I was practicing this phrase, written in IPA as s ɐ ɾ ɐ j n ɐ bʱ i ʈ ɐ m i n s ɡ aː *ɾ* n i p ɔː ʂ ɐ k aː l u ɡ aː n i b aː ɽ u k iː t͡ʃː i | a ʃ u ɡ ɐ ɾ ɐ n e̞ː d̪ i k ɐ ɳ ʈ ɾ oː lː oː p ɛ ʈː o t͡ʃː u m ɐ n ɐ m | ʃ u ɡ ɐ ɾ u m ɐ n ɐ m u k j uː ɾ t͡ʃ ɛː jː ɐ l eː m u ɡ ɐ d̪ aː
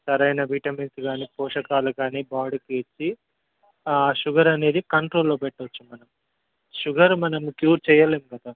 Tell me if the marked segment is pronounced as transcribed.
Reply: no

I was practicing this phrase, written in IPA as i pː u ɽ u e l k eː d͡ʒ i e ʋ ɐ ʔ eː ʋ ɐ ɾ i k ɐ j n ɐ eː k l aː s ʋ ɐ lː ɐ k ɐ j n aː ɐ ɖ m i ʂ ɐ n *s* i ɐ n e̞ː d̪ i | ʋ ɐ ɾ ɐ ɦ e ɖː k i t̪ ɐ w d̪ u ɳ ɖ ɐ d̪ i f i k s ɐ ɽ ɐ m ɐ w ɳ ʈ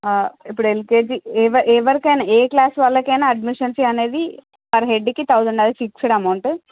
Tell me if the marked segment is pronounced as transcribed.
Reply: yes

